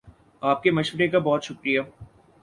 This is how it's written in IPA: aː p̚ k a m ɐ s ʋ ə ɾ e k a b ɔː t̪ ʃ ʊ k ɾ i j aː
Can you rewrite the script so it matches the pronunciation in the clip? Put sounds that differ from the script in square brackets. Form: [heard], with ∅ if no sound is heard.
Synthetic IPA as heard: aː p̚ k [e] m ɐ [ʃ] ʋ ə ɾ e k a b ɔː t̪ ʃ ʊ k ɾ i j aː

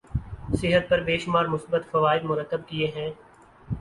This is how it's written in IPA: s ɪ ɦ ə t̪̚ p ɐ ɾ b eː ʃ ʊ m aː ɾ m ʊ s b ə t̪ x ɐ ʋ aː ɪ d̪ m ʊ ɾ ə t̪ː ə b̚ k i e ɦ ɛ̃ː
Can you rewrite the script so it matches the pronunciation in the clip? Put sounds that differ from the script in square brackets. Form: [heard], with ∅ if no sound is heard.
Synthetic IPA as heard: s ɪ ɦ ə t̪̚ p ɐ ɾ b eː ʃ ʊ m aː ɾ m ʊ s b ə t̪ [f] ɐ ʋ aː ɪ d̪ m ʊ ɾ ə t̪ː ə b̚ k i e ɦ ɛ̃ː

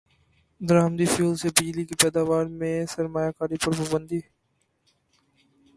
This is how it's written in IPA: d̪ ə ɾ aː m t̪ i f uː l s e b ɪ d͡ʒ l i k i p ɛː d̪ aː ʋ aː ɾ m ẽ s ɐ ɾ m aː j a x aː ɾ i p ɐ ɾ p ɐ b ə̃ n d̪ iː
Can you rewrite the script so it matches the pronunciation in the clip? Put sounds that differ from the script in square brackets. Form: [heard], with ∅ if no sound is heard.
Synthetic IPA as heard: d̪ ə ɾ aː m [d̪] i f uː l s e b ɪ d͡ʒ l i k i p ɛː d̪ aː ʋ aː ɾ m ẽ s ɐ ɾ m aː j a [k] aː ɾ i p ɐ ɾ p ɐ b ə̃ n d̪ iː

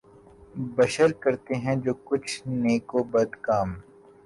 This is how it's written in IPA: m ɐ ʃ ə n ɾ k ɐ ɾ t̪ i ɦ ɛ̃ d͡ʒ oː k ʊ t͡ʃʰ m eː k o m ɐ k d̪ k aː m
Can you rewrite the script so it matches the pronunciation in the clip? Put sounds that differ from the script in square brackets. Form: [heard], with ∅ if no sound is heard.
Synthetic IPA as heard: [b] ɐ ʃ ə [∅] ɾ k ɐ ɾ t̪ [e] ɦ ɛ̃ d͡ʒ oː k ʊ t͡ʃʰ [n] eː k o [b] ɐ [∅] d̪ k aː m

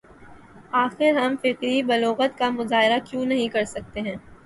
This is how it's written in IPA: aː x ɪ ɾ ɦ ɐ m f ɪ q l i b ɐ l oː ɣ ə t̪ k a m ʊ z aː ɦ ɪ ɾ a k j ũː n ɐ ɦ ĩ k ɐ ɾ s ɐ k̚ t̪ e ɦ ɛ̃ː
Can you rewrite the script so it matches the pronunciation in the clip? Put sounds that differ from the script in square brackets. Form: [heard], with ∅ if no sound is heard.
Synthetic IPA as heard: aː x ɪ ɾ ɦ ɐ m f ɪ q [ɾ] i b ɐ l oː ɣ ə t̪ k a m ʊ z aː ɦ ɪ ɾ a k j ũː n ɐ ɦ ĩ k ɐ ɾ s ɐ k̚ t̪ e ɦ ɛ̃ː

